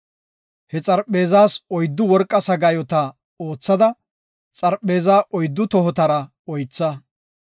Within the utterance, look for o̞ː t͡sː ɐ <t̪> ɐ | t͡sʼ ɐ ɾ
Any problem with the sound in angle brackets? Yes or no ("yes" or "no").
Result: yes